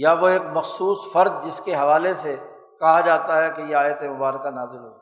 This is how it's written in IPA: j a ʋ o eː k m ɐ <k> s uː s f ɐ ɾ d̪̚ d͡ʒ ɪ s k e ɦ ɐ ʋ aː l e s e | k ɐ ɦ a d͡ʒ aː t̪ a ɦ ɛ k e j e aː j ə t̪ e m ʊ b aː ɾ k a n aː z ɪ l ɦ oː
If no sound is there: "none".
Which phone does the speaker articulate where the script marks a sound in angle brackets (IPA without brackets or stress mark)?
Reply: x